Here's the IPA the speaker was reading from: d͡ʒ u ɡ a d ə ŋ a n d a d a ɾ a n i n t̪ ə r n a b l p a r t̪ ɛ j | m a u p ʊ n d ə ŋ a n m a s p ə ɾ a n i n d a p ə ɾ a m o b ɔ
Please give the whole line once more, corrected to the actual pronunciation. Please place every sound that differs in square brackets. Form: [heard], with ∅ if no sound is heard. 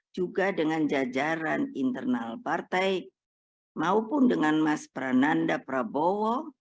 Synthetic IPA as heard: d͡ʒ u ɡ a d ə ŋ a n [d͡ʒ] a [d͡ʒ] a ɾ a n i n t̪ ə r n a [∅] l p a r t̪ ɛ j | m a u p ʊ n d ə ŋ a n m a s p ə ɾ a n [a] n d a p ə ɾ a [b] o [w] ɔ